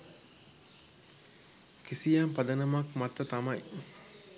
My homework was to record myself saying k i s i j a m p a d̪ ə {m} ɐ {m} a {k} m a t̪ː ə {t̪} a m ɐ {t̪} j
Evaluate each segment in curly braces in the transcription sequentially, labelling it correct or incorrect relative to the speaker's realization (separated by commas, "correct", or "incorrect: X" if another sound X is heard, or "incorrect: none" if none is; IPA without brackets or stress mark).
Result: incorrect: n, correct, correct, correct, incorrect: none